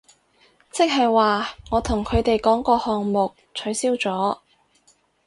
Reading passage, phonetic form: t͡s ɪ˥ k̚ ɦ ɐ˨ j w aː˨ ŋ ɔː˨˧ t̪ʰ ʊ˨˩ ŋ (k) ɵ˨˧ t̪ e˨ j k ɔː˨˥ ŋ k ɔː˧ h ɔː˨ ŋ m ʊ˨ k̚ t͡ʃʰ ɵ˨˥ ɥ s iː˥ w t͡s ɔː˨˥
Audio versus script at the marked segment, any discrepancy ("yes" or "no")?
yes